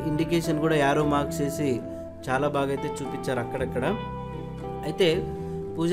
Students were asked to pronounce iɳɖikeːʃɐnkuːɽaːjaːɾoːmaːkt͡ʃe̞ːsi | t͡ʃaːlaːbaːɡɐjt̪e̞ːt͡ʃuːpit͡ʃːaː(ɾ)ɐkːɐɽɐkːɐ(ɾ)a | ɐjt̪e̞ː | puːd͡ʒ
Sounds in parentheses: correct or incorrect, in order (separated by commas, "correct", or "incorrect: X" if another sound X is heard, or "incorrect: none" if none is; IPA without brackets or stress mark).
correct, incorrect: ɽ